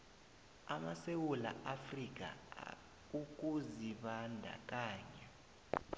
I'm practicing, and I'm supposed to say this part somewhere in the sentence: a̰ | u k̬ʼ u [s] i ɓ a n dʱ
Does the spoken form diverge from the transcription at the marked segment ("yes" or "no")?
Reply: yes